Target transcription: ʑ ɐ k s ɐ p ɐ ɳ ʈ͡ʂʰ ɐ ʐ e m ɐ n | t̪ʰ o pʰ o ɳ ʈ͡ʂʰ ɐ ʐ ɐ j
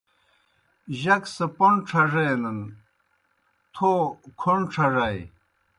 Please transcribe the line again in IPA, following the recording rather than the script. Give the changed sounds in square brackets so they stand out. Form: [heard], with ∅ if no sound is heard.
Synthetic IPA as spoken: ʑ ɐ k s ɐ p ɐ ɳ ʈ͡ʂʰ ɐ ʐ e [n] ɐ n | t̪ʰ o [kʰ] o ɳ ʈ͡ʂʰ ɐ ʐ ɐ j